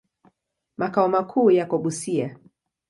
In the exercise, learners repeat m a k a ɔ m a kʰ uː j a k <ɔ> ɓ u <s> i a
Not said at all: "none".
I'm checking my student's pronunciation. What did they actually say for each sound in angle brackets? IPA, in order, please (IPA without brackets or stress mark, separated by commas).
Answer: ɔ, s